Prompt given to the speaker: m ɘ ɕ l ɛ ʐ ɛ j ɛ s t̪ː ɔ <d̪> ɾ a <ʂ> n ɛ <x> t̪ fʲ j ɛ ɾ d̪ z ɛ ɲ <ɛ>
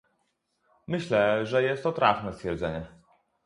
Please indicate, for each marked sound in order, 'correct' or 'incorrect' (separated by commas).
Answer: incorrect, incorrect, incorrect, correct